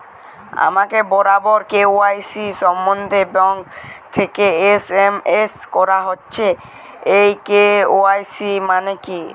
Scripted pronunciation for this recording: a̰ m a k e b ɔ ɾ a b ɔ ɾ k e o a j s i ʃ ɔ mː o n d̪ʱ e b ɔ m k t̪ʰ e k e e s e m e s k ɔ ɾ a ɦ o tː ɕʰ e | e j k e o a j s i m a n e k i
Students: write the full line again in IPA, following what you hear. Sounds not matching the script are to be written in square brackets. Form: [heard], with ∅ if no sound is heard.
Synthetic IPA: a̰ m a k e b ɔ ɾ a b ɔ ɾ k e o a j s i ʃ ɔ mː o n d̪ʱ e b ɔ [ŋ] k t̪ʰ e k e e s e m e s k ɔ ɾ a ɦ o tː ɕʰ e | e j k e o a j s i m a n e k i